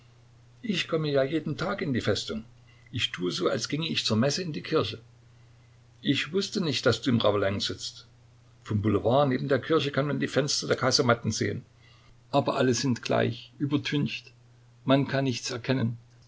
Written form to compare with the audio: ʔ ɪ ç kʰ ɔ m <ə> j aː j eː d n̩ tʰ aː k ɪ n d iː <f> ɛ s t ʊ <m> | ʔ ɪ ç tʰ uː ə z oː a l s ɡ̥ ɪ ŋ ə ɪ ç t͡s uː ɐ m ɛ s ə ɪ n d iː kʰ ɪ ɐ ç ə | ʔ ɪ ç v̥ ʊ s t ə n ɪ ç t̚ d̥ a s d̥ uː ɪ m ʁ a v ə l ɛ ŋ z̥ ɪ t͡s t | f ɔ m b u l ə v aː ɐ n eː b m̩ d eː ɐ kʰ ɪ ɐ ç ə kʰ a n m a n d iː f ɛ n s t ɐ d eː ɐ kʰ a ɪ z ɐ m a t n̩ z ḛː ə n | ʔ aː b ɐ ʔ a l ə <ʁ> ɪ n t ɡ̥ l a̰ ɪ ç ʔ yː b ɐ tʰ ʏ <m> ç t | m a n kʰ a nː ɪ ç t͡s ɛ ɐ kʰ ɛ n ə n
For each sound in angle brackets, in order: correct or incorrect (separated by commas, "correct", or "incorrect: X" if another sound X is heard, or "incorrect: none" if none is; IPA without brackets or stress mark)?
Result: correct, correct, incorrect: ŋ, incorrect: z, incorrect: n